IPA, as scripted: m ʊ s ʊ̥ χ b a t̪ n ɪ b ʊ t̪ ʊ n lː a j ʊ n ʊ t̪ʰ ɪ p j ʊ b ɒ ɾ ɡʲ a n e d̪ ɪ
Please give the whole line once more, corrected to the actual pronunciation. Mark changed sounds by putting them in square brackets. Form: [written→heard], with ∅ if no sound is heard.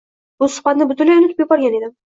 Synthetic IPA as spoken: [m→b] ʊ s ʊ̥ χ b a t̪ n ɪ b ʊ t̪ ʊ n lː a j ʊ n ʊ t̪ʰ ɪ p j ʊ b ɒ ɾ ɡʲ a n e d̪ ɪ